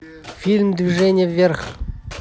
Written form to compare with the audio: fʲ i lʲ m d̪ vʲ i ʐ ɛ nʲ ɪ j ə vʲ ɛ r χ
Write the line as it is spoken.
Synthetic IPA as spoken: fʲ i lʲ m d̪ vʲ i ʐ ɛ nʲ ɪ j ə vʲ e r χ